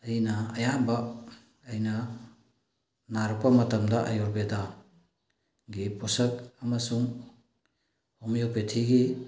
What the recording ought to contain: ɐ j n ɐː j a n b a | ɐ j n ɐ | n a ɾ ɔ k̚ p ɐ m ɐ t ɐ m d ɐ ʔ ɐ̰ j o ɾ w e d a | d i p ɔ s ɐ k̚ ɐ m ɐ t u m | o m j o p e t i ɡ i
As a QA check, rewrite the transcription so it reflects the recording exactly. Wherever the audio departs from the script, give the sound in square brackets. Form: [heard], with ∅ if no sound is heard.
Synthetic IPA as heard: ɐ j n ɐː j a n b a | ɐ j n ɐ | n a ɾ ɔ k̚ p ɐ m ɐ t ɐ m d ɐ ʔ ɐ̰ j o ɾ [b] e d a | [ɡ] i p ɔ s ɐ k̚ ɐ m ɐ [s] u [ŋ] | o m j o p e [tʰ] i ɡ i